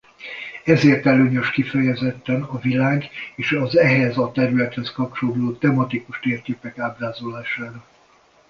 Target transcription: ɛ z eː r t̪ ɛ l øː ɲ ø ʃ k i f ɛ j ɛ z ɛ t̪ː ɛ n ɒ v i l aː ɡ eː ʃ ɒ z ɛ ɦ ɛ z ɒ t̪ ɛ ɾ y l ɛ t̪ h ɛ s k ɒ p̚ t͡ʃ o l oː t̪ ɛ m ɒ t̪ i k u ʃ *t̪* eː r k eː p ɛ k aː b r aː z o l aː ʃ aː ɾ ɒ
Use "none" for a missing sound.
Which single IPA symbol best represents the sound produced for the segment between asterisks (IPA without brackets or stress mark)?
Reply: t̪